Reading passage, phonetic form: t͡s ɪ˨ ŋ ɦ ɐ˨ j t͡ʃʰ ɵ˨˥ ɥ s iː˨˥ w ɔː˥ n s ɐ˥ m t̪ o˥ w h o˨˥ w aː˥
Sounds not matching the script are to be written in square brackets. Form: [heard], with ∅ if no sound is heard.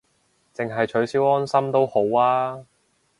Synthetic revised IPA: t͡s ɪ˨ ŋ ɦ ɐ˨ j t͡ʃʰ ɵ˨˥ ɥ s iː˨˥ w ɔː˥ n s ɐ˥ m t̪ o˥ w h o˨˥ w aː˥